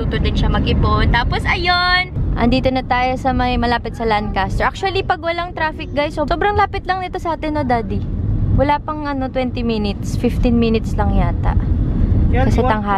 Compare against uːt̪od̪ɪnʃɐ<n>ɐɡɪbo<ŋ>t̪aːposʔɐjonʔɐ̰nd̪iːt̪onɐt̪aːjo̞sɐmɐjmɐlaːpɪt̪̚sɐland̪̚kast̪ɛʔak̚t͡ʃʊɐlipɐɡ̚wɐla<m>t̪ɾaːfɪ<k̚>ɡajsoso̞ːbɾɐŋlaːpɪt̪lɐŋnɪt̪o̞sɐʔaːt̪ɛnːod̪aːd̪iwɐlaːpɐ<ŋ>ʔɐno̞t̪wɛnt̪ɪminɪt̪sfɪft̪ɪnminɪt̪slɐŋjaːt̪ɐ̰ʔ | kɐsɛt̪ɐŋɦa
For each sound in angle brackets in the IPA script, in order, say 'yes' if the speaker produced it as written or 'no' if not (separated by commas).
no, no, no, yes, yes